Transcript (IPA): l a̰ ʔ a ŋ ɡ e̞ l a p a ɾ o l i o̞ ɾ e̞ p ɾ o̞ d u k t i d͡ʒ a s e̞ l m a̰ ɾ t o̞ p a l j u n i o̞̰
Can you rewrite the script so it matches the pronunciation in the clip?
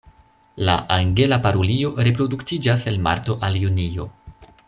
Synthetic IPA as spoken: l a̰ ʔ a ŋ ɡ e̞ l a p a ɾ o l i o̞ ɾ e̞ p ɾ o̞ d u k t i d͡ʒ a s e̞ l m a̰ ɾ t o̞ ʔ a l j u n i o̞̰